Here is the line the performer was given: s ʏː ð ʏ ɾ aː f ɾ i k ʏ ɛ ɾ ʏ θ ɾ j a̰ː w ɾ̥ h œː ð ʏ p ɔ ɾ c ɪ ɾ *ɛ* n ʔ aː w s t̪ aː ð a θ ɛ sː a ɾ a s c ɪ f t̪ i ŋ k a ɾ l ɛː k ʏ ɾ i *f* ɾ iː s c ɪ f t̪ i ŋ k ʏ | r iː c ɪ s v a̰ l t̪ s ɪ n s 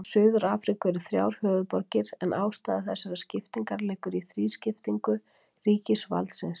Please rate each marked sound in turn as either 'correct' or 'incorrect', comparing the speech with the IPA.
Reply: correct, incorrect: θ

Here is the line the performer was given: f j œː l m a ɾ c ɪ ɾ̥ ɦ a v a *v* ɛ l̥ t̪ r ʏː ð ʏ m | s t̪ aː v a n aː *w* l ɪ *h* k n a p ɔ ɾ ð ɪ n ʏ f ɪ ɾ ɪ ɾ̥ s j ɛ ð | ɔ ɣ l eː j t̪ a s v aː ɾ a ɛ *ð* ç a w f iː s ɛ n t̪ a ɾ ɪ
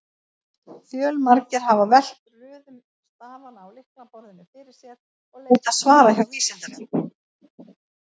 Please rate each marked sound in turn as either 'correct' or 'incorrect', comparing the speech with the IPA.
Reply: correct, correct, correct, incorrect: none

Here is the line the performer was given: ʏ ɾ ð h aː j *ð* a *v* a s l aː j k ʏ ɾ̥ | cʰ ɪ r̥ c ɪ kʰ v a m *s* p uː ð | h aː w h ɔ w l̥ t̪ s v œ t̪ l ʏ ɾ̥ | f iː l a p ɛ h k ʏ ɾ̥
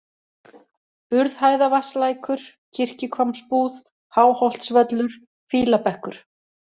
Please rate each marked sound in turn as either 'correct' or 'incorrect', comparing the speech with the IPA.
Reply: correct, correct, correct

